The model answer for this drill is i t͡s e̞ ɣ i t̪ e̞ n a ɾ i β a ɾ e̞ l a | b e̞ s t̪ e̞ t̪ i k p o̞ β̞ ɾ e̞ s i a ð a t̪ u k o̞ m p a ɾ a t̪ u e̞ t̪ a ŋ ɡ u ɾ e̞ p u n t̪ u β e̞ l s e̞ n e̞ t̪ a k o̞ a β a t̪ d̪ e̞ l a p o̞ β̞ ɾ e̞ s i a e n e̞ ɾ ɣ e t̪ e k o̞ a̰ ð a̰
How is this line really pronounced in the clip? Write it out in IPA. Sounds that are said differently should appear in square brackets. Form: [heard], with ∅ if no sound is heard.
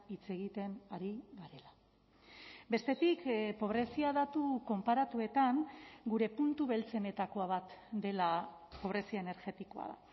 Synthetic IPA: i t͡s e̞ ɣ i t̪ e̞ n a ɾ i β a ɾ e̞ l a | b e̞ s t̪ e̞ t̪ i k p o̞ β̞ ɾ e̞ s i a ð a t̪ u k o̞ m p a ɾ a t̪ u e̞ t̪ a ŋ ɡ u ɾ e̞ p u n t̪ u β e̞ l [t͡s] e̞ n e̞ t̪ a k o̞ a β a t̪ d̪ e̞ l a p o̞ β̞ ɾ e̞ s i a e n e̞ ɾ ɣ e t̪ [i] k o̞ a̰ ð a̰